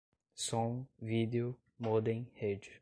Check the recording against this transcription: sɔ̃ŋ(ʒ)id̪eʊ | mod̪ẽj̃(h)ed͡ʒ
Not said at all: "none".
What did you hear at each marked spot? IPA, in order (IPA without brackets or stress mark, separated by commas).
v, h